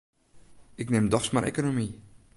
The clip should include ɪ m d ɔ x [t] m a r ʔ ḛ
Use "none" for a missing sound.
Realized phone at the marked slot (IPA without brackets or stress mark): s